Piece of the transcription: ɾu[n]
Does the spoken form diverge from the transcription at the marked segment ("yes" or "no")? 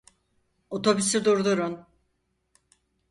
no